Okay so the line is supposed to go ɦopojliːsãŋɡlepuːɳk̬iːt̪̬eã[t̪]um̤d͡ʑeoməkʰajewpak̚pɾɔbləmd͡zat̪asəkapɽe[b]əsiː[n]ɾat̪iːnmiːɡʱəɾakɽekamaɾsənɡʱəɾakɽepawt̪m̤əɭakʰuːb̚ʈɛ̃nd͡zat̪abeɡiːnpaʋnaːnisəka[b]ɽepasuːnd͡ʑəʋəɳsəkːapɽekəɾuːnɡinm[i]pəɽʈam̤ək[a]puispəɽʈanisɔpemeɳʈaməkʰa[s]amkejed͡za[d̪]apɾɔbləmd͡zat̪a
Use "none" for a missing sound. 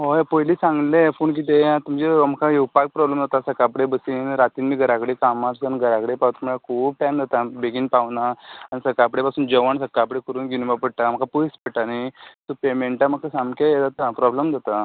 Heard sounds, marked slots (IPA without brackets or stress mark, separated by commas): t̪, b, n, p, a, a, s, t̪